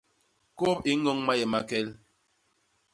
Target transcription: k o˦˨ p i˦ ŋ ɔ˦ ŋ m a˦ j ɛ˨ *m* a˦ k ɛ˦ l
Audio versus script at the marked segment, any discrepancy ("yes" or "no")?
no